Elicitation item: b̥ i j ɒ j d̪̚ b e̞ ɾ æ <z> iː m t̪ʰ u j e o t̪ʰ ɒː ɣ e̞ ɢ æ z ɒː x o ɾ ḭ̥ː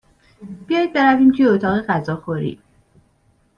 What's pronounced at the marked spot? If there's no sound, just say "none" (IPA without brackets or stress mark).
v